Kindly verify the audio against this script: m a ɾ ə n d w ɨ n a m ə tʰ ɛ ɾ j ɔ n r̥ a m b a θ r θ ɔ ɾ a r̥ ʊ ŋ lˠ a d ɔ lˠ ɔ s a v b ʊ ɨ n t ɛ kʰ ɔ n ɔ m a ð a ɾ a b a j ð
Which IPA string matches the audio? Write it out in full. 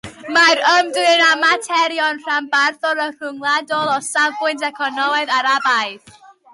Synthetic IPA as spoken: m a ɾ ə m d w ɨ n a m a tʰ ɛ ɾ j ɔ n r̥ a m b a r θ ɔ ɾ ə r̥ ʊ ŋ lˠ a d ɔ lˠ ɔ s a v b ʊ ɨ n t ɛ kʰ ɔ n ɔ m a ð a ɾ a b a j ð

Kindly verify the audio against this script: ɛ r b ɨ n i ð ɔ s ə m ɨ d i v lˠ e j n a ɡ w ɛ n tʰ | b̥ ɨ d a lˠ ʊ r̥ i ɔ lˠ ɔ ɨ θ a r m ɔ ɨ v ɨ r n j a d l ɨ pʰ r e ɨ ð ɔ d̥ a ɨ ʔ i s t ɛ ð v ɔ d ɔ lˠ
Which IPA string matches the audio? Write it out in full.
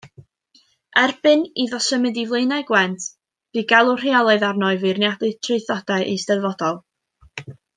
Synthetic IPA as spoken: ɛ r b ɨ n i ð ɔ s ə m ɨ d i v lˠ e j n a ɡ w ɛ n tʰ | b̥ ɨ ɡ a lˠ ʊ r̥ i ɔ lˠ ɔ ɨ ð a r n ɔ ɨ v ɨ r n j a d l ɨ tʰ r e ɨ θ ɔ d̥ a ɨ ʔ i s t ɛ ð v ɔ d ɔ lˠ

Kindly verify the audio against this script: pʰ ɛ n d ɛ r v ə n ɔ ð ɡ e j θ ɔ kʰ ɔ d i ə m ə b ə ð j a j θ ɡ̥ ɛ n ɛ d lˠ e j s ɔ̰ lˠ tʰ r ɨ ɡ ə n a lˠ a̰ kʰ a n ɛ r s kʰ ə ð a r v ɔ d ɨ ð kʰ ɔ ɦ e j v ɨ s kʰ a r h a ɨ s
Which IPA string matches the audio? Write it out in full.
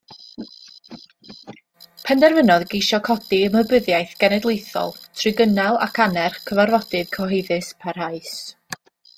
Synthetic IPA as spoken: pʰ ɛ n d ɛ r v ə n ɔ ð ɡ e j ʃ ɔ kʰ ɔ d i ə m ə b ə ð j a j θ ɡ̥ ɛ n ɛ d lˠ e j θ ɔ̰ lˠ tʰ r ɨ ɡ ə n a lˠ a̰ kʰ a n ɛ r χ kʰ ə v a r v ɔ d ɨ ð kʰ ɔ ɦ e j ð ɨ s pʰ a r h a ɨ s

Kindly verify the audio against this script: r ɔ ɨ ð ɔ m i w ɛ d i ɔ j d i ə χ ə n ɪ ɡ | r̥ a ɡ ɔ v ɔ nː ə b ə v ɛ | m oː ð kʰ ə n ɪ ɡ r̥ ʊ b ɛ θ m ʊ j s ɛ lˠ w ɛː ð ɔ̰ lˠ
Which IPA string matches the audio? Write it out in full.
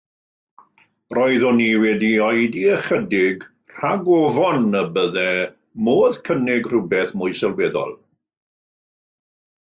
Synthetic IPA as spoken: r ɔ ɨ ð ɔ n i w ɛ d i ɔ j d i ə χ ə d ɪ ɡ | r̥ a ɡ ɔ v ɔ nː ə b ə ð ɛ | m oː ð kʰ ə n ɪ ɡ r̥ ʊ b ɛ θ m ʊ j s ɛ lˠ w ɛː ð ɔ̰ lˠ

